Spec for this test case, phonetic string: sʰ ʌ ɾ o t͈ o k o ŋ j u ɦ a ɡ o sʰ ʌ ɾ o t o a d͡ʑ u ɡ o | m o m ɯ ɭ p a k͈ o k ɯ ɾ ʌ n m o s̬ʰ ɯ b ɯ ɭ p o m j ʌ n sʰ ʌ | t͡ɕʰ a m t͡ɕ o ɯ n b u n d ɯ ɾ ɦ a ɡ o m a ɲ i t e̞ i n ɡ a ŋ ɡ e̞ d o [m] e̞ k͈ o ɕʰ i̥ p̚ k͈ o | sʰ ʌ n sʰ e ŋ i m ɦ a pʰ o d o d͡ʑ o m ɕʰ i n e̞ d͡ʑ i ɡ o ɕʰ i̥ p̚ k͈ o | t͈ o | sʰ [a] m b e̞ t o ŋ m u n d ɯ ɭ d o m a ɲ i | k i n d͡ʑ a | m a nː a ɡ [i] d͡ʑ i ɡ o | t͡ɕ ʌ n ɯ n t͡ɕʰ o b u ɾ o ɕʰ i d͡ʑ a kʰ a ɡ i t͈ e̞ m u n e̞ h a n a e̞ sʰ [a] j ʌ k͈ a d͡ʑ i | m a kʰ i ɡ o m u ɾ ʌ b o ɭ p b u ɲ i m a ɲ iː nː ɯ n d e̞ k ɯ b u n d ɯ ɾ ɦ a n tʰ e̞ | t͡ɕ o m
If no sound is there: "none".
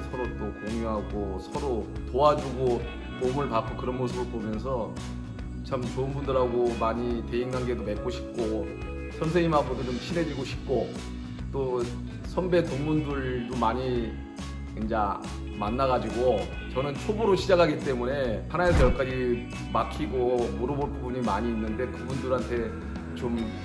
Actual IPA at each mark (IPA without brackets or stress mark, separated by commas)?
m, ʌ, a, ʌ